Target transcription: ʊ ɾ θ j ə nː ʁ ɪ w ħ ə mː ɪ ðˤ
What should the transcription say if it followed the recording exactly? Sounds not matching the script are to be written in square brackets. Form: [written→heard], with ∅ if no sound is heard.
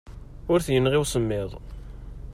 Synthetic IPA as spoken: ʊ ɾ θ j ə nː ʁ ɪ w [ħ→s] ə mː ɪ ðˤ